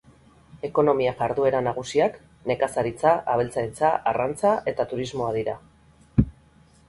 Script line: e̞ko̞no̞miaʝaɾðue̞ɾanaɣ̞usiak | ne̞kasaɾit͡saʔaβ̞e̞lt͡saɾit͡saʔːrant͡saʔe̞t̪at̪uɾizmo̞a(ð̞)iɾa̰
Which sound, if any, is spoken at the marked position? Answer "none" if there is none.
ð̞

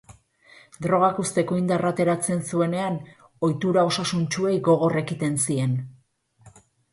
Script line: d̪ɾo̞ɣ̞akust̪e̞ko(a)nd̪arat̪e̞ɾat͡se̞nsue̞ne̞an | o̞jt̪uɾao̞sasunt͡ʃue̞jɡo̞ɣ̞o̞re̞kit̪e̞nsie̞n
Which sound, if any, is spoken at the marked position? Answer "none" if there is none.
i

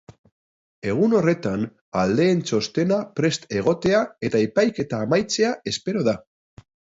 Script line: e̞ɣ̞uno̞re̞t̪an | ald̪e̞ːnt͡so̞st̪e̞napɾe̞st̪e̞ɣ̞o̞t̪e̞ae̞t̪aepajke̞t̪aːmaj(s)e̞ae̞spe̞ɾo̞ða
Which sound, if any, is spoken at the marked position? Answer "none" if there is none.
t͡s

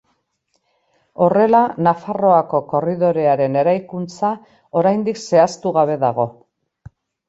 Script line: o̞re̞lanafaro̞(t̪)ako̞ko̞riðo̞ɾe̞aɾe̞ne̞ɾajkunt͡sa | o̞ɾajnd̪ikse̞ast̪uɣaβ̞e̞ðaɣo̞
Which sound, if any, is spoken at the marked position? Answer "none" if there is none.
none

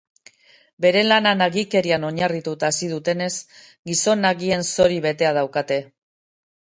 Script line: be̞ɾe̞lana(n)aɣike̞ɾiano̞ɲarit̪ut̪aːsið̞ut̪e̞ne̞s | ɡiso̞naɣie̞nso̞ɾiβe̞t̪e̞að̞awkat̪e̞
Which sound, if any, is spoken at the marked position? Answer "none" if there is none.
n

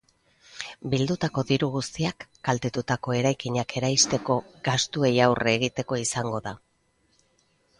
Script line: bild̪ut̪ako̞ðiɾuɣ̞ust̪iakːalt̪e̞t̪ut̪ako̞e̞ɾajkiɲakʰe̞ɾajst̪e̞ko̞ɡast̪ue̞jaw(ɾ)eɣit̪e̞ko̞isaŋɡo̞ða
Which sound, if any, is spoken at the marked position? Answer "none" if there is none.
r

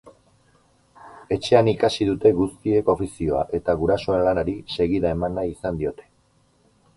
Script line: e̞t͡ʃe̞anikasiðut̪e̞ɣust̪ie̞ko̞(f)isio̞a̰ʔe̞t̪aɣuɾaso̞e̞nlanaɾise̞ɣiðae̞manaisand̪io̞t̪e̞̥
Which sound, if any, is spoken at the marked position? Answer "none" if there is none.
f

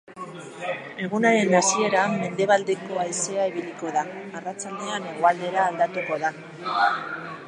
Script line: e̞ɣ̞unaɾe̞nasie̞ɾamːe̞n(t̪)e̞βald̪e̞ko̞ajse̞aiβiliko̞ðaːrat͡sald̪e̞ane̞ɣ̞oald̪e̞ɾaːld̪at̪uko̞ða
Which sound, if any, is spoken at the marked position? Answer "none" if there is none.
d̪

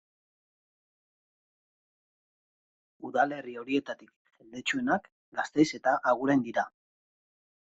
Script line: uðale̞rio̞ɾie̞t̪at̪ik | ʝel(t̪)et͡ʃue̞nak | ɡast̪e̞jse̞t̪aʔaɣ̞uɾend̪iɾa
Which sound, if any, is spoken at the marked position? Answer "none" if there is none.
d̪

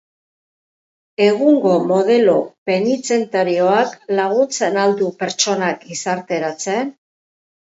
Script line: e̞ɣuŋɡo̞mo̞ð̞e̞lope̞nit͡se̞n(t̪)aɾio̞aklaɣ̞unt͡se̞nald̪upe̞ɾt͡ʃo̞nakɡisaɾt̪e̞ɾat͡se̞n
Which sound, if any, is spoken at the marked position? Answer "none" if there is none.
t̪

